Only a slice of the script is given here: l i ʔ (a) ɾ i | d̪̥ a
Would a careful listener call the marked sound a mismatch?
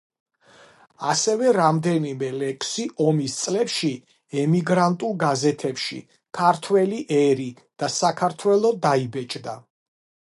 yes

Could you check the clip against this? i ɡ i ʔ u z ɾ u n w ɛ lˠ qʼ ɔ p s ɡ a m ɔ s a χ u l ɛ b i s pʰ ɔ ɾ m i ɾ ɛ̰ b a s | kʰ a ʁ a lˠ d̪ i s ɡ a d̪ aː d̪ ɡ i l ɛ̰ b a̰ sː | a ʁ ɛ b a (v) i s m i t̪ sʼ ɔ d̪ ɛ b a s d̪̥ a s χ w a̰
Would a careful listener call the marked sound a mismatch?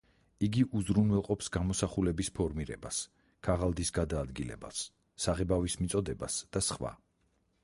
no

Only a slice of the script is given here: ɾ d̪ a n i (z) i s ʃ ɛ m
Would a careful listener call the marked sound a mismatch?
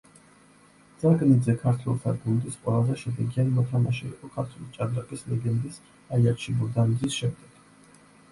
no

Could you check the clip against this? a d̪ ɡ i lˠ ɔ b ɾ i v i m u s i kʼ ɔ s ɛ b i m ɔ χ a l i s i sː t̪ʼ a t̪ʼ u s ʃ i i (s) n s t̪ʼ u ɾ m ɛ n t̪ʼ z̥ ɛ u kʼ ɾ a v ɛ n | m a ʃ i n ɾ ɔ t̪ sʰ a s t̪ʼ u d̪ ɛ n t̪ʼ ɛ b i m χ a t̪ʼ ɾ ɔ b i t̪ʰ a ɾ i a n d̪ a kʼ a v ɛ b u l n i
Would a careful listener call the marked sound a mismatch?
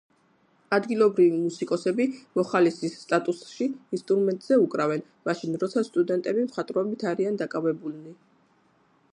yes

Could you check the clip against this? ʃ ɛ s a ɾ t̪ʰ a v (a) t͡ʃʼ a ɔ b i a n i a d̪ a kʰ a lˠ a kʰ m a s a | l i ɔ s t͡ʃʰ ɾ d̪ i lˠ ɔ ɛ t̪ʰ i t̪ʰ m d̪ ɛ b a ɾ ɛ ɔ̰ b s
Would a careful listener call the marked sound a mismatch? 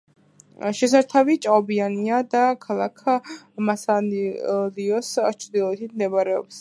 yes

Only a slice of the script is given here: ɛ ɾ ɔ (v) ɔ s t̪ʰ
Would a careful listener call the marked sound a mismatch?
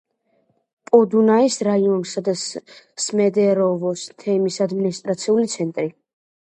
no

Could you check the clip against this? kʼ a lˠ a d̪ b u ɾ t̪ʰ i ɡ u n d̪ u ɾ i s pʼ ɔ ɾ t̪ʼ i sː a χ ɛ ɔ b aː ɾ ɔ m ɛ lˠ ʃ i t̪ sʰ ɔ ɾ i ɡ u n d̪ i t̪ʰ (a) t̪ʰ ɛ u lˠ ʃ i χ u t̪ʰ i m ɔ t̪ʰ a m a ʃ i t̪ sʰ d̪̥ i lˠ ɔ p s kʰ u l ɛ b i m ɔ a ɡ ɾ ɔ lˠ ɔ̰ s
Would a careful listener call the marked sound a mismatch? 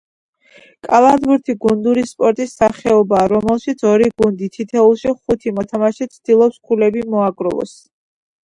yes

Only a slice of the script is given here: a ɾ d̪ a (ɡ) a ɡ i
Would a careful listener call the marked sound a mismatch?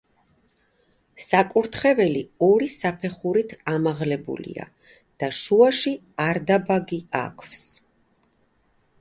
yes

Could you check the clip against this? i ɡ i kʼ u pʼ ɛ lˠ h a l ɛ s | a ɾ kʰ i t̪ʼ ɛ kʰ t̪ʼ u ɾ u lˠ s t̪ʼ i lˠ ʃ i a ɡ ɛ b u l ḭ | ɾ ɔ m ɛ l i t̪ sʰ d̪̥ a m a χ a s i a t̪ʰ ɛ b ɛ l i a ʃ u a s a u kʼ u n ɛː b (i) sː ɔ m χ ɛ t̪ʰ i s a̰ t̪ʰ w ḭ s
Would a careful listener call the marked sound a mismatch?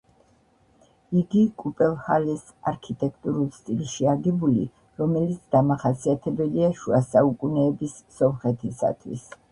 no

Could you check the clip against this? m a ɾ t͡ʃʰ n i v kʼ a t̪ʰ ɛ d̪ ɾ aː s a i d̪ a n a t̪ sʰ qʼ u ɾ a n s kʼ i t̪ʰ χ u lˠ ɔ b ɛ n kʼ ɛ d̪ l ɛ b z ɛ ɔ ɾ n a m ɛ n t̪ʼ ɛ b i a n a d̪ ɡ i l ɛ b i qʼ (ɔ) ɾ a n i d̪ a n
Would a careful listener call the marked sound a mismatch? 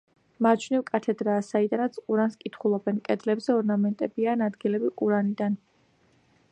yes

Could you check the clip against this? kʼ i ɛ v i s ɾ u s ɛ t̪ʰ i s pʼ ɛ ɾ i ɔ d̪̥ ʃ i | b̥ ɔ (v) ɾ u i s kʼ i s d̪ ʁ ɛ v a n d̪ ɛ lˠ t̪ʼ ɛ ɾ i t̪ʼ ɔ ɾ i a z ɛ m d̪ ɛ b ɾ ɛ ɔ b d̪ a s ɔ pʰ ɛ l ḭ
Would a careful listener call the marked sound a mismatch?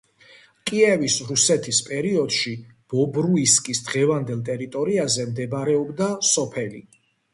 yes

